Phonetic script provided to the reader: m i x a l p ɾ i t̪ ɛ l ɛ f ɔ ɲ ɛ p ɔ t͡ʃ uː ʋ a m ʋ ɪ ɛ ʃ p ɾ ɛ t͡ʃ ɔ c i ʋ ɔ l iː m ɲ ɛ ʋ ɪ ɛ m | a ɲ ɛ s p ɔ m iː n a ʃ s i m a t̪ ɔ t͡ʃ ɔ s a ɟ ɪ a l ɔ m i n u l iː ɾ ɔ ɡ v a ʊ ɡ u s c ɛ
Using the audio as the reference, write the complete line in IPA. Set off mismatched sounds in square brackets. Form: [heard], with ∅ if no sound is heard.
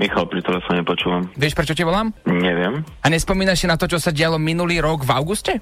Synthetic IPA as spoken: m i x a l p ɾ i t̪ ɛ l ɛ f ɔ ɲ ɛ p ɔ t͡ʃ uː ʋ a m ʋ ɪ ɛ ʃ p ɾ ɛ t͡ʃ ɔ c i ʋ ɔ l [aː] m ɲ ɛ ʋ ɪ ɛ m | a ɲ ɛ s p ɔ m iː n a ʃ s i [n] a t̪ ɔ t͡ʃ ɔ s a ɟ ɪ a l ɔ m i n u l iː ɾ ɔ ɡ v a ʊ ɡ u s c ɛ